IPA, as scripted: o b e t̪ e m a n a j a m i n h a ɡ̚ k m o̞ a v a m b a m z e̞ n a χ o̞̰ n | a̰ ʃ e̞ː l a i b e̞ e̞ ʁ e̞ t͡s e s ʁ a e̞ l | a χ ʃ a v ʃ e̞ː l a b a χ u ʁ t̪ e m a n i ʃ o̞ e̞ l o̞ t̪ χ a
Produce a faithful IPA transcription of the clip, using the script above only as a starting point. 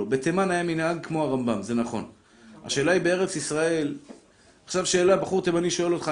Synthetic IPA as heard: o b e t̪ e m a n a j a m i n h a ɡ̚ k m o̞ a ʁ a m b a m z e̞ n a χ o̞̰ n | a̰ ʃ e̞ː l a i b e̞ e̞ ʁ e̞ t͡s i s ʁ a e̞ l | a χ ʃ a v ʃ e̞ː l a b a χ u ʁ t̪ e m a n i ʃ o̞ e̞ l o̞ t̪ χ a